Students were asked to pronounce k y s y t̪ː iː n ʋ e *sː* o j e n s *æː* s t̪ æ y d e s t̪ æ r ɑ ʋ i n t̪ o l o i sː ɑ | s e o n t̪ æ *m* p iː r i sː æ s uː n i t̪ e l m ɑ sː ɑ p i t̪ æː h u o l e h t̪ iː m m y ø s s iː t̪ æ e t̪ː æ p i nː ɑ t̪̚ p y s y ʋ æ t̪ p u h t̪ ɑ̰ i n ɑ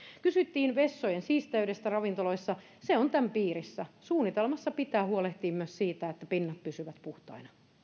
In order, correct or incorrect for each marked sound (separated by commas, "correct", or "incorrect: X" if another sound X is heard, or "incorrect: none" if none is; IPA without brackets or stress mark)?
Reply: correct, incorrect: iː, correct